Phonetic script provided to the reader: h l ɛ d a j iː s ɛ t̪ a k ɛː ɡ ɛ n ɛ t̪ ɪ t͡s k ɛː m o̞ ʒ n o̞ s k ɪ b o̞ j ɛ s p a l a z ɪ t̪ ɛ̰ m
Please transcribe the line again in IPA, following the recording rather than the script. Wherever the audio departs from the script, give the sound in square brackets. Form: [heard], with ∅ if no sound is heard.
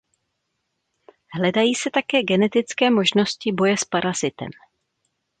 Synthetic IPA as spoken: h l ɛ d a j iː s ɛ t̪ a k ɛː ɡ ɛ n ɛ t̪ ɪ t͡s k ɛː m o̞ ʒ n o̞ s [c] ɪ b o̞ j ɛ s p a [ɾ] a z ɪ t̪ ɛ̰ m